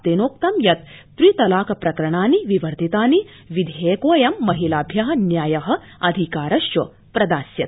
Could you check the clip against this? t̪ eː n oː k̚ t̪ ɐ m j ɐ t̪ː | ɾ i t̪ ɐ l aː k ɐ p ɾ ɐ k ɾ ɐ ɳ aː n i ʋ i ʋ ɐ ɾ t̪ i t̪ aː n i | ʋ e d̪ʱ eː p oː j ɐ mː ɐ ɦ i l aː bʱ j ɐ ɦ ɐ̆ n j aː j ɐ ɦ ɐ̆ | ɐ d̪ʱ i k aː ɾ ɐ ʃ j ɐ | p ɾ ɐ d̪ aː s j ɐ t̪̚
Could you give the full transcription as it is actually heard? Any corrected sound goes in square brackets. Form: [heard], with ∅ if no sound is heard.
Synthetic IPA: t̪ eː n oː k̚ t̪ ɐ m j ɐ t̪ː | ɾ i t̪ ɐ l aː k ɐ p ɾ ɐ k ɾ ɐ ɳ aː n i ʋ i ʋ ɐ ɾ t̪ i t̪ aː n i | ʋ [i] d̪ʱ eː [k] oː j ɐ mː ɐ ɦ i l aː bʱ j ɐ ɦ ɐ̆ n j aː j ɐ ɦ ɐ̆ | ɐ d̪ʱ i k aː ɾ ɐ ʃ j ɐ | p ɾ ɐ d̪ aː s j ɐ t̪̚